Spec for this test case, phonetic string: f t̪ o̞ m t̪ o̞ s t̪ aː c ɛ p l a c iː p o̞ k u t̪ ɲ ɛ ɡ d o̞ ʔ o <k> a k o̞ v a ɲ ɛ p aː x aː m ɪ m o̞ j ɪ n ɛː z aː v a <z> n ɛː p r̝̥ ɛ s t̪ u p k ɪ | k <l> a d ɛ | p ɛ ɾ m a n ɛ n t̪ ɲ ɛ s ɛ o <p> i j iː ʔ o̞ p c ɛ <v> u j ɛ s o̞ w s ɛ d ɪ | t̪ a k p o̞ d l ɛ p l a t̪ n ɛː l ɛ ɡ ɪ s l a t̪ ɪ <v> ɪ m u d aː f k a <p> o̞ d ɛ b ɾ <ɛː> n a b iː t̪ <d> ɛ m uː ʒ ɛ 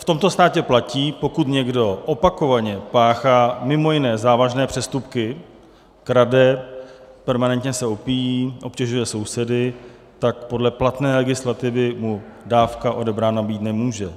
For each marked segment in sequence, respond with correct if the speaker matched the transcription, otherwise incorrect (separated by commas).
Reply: incorrect, incorrect, incorrect, correct, incorrect, correct, incorrect, incorrect, incorrect